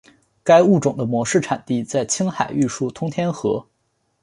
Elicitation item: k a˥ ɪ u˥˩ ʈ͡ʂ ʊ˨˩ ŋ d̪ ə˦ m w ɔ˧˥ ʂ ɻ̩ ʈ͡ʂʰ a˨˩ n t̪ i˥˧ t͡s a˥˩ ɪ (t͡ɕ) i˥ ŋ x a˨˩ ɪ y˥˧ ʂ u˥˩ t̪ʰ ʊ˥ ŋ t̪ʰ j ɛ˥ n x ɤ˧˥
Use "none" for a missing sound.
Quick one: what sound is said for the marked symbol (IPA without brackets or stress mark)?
t͡ɕʰ